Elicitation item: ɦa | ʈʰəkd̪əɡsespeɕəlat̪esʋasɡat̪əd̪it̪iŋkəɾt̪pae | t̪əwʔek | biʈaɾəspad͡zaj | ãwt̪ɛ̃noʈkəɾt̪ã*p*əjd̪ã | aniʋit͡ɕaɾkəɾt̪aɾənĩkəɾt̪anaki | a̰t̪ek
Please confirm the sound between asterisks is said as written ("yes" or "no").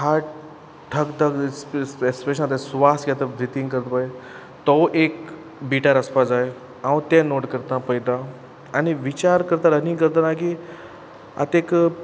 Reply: yes